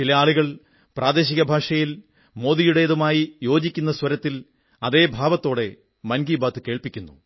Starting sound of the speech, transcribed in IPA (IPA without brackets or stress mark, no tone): t͡ɕ